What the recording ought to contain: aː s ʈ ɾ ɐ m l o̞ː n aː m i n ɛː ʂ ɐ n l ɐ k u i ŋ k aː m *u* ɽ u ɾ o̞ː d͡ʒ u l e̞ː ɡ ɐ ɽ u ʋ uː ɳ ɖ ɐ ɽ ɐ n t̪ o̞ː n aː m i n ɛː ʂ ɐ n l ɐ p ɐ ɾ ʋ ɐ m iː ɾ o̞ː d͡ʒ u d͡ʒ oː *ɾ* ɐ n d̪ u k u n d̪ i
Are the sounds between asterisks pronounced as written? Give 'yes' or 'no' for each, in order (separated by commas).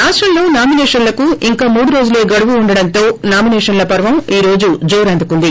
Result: no, yes